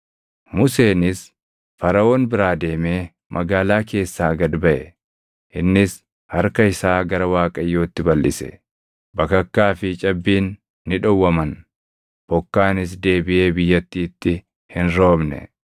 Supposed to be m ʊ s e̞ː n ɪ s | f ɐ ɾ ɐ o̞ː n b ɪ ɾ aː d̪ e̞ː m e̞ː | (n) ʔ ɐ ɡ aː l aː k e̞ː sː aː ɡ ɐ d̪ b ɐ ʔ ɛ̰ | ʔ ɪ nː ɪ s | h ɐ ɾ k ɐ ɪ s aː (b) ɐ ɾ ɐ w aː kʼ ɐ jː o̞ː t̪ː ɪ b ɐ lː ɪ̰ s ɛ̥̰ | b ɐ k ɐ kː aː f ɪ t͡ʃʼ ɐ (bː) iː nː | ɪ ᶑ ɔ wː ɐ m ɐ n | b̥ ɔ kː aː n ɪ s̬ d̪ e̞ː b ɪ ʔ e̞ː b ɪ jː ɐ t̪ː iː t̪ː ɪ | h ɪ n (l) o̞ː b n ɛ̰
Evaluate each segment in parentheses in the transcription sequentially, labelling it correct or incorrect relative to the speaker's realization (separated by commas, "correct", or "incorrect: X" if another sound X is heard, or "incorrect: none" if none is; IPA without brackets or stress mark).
incorrect: m, incorrect: ɡ, correct, incorrect: ɾ